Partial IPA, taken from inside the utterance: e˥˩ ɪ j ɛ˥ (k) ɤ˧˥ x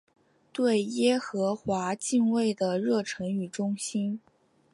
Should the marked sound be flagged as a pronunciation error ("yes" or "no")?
yes